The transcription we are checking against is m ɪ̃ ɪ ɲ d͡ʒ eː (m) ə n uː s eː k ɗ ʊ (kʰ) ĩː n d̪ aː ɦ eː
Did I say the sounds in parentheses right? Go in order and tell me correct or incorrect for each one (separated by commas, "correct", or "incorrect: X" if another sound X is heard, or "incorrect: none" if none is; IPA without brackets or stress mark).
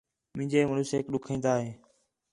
correct, correct